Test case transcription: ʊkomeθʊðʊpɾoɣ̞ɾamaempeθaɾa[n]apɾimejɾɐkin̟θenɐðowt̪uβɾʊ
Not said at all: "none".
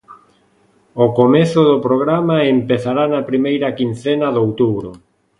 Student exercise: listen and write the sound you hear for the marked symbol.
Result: n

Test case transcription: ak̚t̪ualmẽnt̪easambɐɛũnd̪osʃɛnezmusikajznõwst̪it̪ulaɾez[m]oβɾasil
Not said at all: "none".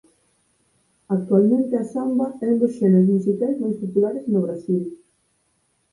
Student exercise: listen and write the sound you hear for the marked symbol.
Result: n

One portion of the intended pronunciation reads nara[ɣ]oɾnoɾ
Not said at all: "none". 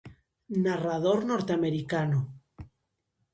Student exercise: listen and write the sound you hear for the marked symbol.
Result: ð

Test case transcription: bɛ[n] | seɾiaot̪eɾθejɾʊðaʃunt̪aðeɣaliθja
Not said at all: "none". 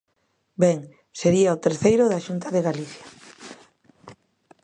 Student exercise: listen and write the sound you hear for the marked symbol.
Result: ŋ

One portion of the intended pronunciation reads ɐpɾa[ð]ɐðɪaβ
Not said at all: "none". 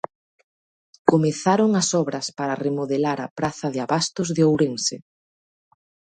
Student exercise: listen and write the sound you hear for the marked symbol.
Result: θ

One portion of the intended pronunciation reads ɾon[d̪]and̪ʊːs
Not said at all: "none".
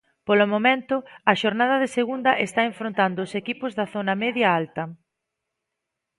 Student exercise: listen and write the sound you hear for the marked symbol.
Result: t̪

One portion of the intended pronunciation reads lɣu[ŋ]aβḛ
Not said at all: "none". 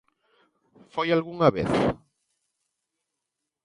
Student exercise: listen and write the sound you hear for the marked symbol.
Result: ŋ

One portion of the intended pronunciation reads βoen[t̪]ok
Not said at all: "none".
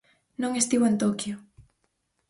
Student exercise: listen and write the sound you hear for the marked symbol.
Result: t̪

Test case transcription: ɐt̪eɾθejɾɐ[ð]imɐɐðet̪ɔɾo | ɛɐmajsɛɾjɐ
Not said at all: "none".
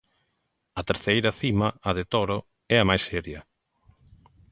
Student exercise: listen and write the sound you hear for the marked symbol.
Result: θ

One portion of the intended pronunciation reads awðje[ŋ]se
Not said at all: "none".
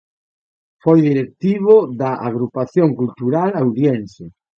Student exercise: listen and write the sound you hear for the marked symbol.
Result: n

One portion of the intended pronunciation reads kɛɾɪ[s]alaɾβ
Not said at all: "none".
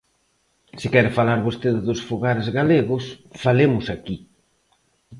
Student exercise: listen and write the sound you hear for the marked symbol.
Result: f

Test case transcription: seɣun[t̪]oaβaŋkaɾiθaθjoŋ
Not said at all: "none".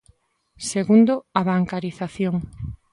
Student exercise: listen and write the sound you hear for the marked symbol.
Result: d̪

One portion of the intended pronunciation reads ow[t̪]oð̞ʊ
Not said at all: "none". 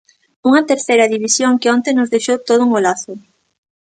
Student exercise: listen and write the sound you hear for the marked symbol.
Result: t̪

